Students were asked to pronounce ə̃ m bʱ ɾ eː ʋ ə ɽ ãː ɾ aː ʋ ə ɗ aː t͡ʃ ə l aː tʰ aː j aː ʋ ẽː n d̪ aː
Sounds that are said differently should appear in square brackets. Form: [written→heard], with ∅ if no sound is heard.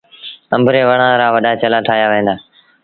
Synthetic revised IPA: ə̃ m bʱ ɾ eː ʋ ə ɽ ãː ɾ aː ʋ ə ɗ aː t͡ʃ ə l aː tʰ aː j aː ʋ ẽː n d̪ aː